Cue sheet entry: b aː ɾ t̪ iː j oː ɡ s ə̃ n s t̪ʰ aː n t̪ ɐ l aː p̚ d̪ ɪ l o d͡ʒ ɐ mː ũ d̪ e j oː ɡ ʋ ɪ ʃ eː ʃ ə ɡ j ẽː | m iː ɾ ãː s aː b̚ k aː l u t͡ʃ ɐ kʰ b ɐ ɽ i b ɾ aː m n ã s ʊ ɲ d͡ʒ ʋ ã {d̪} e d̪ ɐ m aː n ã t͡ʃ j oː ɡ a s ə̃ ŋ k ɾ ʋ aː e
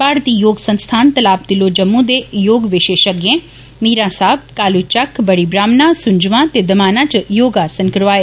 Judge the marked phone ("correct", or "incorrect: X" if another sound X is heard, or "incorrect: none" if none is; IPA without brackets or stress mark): incorrect: t̪